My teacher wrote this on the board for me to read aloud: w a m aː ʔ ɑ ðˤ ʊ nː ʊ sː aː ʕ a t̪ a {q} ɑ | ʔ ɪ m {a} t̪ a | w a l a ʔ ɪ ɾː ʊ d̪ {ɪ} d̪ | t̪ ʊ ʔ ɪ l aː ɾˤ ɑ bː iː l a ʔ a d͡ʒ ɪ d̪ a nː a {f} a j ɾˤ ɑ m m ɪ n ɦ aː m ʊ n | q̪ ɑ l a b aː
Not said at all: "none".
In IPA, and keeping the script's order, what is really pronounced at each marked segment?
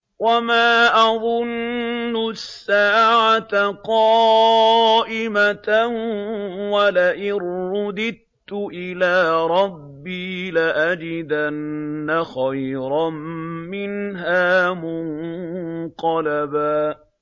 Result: q, a, ɪ, x

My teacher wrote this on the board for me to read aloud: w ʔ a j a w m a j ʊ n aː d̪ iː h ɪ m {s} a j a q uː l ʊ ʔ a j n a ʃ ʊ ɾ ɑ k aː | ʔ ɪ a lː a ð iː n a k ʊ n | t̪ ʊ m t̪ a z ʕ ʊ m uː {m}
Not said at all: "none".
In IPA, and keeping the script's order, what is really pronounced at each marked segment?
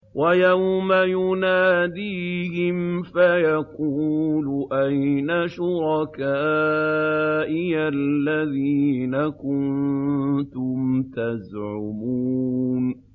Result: f, n

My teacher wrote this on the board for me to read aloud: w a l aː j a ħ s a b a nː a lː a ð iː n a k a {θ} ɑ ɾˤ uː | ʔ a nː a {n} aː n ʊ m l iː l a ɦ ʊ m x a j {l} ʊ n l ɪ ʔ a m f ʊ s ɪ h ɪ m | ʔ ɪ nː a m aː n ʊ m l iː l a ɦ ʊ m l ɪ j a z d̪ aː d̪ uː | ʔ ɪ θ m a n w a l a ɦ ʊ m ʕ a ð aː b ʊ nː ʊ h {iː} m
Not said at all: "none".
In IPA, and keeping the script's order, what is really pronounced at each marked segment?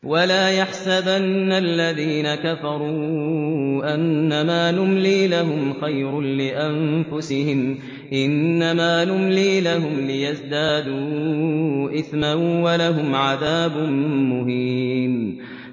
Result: f, m, ɾ, iː

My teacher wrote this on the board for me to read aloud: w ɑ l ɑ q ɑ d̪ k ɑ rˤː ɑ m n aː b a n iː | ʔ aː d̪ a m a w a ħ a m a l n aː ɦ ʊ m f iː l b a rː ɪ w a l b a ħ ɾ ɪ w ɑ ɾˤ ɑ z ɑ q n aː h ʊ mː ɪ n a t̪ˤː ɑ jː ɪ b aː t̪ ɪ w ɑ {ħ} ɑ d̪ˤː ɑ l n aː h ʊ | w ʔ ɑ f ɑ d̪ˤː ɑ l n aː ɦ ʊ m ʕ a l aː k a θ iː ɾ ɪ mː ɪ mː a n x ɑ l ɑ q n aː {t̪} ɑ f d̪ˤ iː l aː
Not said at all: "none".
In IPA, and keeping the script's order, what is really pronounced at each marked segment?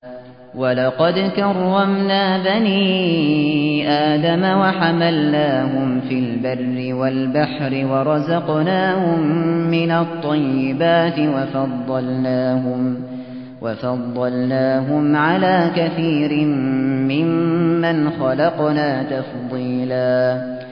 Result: f, t̪

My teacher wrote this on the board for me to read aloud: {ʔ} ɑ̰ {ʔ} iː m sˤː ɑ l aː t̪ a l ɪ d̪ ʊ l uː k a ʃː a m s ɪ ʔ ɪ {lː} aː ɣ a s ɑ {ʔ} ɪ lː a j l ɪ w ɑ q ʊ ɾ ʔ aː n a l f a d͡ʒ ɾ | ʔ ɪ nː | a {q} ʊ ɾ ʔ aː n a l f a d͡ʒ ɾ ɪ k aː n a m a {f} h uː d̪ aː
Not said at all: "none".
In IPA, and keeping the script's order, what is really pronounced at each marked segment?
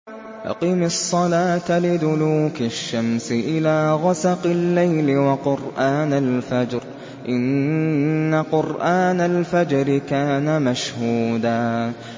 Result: ʔ, q, l, q, q, ʃ

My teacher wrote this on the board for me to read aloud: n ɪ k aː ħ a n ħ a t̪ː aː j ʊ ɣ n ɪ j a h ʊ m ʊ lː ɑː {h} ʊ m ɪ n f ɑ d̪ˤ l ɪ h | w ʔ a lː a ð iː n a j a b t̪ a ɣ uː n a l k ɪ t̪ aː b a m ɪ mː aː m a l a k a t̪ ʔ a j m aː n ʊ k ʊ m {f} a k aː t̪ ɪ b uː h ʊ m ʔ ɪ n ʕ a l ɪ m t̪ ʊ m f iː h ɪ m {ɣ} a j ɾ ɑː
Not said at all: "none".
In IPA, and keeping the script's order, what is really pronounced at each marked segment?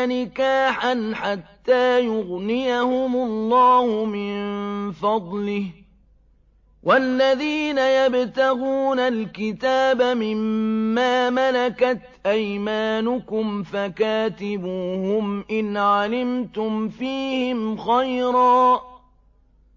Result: h, f, x

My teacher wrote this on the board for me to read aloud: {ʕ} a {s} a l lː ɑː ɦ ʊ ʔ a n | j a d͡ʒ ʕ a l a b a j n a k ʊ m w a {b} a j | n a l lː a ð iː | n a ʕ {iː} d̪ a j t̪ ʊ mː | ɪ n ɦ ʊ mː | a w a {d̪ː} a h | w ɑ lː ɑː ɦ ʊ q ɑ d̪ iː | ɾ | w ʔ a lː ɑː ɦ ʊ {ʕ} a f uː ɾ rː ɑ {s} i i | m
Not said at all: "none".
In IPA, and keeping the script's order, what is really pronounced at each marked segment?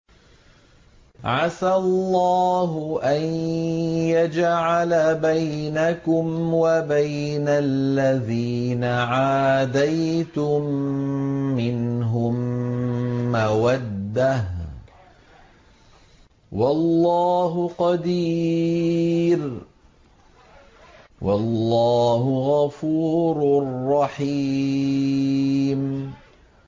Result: ʕ, s, b, aː, d̪ː, ɣ, ħ

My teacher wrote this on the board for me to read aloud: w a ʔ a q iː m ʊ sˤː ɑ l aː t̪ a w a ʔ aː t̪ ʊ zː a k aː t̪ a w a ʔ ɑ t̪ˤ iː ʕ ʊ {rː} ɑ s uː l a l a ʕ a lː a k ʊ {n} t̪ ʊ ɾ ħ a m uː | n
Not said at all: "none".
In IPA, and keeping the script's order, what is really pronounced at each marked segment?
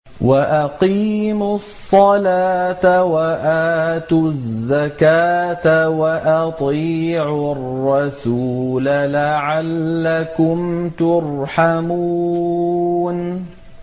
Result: rː, m

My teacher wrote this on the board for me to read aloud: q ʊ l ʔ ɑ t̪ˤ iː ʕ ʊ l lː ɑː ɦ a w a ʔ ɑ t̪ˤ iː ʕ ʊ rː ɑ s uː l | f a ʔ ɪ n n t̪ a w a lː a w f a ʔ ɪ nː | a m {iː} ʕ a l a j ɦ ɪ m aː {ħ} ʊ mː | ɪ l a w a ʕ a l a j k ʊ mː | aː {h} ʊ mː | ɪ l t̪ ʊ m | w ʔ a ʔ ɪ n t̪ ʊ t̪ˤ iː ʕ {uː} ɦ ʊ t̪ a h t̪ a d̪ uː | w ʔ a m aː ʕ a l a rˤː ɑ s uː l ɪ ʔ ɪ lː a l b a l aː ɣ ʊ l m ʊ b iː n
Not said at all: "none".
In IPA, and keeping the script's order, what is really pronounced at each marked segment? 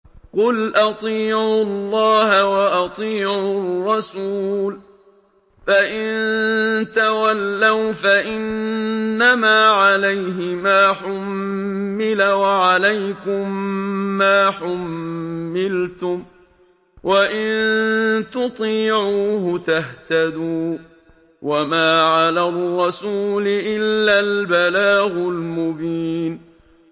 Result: aː, ħ, ħ, uː

